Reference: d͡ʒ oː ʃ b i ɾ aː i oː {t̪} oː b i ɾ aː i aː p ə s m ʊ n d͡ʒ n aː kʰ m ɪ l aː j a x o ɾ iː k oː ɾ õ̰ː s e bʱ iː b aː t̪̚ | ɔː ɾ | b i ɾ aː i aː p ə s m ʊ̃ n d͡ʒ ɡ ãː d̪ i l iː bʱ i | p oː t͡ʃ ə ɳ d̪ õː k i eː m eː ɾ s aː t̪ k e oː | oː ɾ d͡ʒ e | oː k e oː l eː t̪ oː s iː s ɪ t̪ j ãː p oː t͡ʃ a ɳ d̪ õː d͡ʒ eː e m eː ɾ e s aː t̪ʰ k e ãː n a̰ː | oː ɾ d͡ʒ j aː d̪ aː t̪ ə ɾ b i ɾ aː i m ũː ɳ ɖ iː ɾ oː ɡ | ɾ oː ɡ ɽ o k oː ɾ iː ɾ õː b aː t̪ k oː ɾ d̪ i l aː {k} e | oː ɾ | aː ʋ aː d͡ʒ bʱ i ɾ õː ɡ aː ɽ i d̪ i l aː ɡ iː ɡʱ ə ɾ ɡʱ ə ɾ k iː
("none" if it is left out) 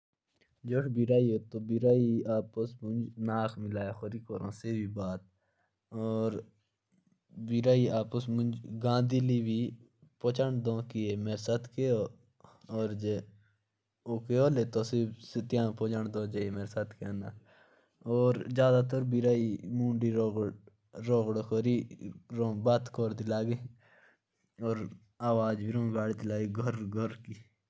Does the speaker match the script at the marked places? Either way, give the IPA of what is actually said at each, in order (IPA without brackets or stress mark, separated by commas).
t̪, ɡ